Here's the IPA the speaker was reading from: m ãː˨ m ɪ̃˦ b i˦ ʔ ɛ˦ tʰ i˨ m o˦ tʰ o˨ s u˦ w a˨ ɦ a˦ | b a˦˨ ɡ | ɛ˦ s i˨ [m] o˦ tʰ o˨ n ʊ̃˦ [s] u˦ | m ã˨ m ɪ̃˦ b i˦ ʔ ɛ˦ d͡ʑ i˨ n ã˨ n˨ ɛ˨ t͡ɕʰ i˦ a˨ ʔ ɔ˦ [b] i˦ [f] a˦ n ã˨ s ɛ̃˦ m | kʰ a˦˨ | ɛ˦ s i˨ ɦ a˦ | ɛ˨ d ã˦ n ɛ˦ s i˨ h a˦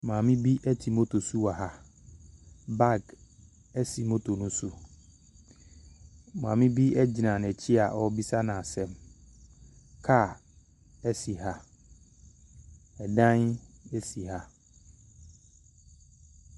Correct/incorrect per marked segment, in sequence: correct, correct, correct, incorrect

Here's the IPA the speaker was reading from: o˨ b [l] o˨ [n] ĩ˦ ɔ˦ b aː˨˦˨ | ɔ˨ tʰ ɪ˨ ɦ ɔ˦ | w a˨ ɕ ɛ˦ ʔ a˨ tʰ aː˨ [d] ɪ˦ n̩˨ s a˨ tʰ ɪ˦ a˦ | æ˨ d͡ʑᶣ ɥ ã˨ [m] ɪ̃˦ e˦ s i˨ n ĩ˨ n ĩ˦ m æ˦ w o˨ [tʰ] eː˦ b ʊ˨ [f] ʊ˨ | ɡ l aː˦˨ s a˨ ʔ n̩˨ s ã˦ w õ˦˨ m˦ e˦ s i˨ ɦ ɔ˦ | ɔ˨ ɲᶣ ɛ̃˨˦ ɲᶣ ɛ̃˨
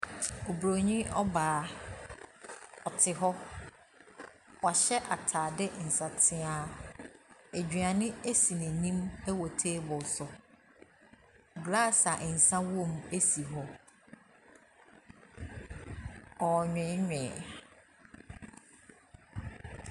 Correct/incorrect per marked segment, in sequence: incorrect, incorrect, correct, incorrect, correct, incorrect

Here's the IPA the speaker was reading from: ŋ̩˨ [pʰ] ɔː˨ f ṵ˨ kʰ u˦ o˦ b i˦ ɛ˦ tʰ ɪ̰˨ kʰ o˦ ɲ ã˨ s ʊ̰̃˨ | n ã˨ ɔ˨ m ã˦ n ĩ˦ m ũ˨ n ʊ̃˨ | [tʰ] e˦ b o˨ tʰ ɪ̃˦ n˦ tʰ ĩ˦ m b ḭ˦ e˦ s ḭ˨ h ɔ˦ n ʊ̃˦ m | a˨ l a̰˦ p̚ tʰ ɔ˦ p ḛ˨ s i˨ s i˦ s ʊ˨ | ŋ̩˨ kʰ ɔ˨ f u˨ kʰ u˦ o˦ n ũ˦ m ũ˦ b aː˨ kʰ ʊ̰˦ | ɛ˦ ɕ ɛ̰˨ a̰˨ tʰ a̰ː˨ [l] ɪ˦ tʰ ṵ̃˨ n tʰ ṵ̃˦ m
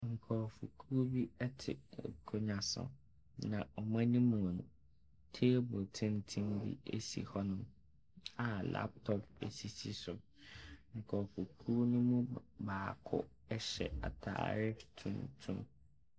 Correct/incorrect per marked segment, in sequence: incorrect, correct, incorrect

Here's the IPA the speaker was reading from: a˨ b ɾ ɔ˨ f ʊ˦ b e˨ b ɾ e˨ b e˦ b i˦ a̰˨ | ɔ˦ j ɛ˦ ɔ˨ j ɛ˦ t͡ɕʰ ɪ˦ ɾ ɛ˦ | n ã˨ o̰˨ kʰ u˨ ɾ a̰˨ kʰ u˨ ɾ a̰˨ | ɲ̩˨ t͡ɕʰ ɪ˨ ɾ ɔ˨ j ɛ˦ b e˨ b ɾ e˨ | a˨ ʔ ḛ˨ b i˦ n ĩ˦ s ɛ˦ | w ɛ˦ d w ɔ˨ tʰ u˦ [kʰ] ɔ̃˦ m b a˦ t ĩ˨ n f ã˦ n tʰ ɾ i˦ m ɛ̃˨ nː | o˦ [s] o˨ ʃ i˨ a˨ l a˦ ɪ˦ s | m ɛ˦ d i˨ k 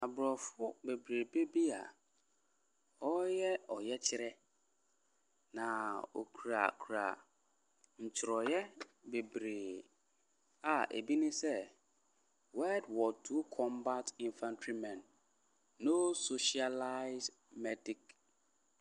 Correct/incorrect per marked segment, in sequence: correct, correct

